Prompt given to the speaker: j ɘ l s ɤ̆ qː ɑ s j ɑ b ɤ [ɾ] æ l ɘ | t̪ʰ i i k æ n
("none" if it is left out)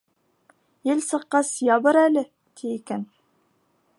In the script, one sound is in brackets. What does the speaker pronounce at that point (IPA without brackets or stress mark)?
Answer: ɾ